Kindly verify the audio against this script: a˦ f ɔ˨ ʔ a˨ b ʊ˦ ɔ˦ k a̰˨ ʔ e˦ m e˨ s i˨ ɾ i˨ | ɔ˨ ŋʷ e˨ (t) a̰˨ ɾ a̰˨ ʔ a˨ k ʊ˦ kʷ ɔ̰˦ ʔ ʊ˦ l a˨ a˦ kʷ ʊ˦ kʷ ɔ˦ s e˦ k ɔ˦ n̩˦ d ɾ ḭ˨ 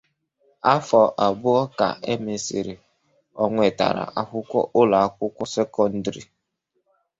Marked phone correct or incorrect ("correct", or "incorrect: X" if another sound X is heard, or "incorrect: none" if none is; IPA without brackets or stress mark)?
correct